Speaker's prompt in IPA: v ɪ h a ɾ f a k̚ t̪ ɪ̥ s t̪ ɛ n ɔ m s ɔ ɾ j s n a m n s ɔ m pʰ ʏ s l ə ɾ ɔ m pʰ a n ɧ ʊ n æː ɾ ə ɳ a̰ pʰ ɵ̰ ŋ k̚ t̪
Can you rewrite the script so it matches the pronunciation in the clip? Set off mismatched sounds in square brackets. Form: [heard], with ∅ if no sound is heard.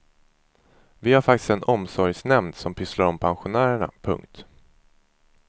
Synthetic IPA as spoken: v ɪ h a ɾ f a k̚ t̪ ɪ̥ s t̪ ɛ n ɔ m s ɔ ɾ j s n [ɛ] m n s ɔ m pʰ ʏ s l [a] ɾ ɔ m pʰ a n ɧ ʊ n æː ɾ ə ɳ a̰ pʰ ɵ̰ ŋ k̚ t̪

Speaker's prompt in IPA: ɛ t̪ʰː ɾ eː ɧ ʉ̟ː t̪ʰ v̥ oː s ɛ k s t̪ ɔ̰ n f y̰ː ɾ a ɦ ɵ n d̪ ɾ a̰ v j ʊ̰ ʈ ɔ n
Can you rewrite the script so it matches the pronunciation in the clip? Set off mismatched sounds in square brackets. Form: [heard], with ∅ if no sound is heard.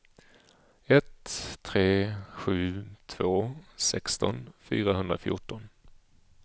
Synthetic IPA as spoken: ɛ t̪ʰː ɾ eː ɧ ʉ̟ː t̪ʰ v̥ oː s ɛ k s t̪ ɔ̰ n f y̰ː ɾ a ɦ ɵ n d̪ ɾ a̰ [f] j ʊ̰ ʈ ɔ n

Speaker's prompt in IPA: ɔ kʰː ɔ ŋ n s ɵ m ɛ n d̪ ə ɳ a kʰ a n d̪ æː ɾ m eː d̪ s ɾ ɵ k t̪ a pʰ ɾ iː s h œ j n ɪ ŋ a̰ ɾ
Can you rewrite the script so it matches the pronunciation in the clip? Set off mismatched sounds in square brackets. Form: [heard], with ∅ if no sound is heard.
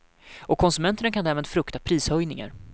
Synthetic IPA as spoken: ɔ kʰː ɔ [∅] n s ɵ m ɛ n [t̪] ə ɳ a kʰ a n d̪ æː ɾ m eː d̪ [f] ɾ ɵ k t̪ a pʰ ɾ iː s h œ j n ɪ ŋ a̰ ɾ

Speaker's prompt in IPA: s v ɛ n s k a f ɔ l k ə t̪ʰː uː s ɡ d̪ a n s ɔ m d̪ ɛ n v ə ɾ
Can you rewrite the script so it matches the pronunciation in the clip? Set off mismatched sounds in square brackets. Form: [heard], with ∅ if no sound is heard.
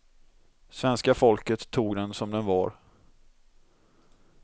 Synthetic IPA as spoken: s v ɛ n s k a f ɔ l k ə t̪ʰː uː [∅] ɡ d̪ [ɛ] n s ɔ m d̪ ɛ n v [ɑ] ɾ

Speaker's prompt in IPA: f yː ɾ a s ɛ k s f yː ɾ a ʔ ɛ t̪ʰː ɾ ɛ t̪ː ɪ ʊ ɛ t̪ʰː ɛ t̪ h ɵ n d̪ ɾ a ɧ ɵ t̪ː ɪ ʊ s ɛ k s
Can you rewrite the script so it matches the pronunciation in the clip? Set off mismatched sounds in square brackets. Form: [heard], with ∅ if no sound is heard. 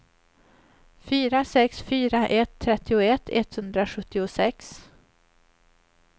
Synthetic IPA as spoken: f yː ɾ a s ɛ k s f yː ɾ a ʔ ɛ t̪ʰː ɾ ɛ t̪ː ɪ ʊ ɛ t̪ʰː ɛ t̪ h ɵ n d̪ ɾ a ɧ ɵ t̪ː ɪ ʊ s ɛ k s

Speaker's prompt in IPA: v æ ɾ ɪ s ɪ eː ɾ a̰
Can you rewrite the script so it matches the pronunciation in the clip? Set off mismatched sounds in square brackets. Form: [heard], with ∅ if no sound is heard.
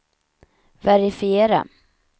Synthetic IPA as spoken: v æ ɾ ɪ [f] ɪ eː ɾ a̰

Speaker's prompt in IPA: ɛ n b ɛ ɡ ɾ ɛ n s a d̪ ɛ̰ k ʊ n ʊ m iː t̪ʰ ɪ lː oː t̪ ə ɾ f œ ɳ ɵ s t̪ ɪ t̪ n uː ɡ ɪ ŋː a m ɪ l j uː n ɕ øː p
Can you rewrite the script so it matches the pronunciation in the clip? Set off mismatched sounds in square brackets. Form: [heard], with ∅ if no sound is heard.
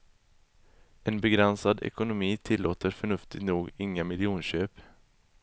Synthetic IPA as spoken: ɛ n b ɛ ɡ ɾ ɛ n s a d̪ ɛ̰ k ʊ n ʊ m iː t̪ʰ ɪ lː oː t̪ ə ɾ f œ ɳ ɵ [f] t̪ ɪ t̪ n uː ɡ ɪ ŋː a m ɪ l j uː n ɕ øː p

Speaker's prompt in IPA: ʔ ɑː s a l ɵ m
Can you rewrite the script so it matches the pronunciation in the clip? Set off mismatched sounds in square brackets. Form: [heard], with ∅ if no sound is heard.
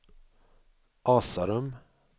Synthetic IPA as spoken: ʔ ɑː s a [ɾ] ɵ m

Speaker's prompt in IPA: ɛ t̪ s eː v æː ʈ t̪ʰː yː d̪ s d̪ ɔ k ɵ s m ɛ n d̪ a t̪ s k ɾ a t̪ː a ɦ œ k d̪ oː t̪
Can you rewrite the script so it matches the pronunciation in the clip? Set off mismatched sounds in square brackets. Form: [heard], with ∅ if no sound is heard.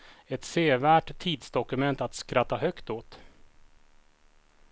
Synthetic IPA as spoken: ɛ t̪ s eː v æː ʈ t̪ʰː [iː] d̪ s d̪ ɔ k ɵ [∅] m ɛ n [t̪] a t̪ s k ɾ a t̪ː a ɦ œ k [t̪] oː t̪

